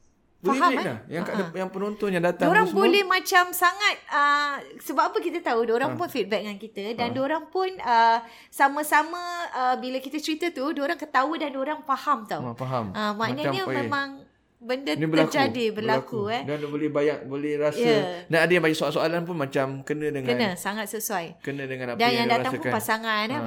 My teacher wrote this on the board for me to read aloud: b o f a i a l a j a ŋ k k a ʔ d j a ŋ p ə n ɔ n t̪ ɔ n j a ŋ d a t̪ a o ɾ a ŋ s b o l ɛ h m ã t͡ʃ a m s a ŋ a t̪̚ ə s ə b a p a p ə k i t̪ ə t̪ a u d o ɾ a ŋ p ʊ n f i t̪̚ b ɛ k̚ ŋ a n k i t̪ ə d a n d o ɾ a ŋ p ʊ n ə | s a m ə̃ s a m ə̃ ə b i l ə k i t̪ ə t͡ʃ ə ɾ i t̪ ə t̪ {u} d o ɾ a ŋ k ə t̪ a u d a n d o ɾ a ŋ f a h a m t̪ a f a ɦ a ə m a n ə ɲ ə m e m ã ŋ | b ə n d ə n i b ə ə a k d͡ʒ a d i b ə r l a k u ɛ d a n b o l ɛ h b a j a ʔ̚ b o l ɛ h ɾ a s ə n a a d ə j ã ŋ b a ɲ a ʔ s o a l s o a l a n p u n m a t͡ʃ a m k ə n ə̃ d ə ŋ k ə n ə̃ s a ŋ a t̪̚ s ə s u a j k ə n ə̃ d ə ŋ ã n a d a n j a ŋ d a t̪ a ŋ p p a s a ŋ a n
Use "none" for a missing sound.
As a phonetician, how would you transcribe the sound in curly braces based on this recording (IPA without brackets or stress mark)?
u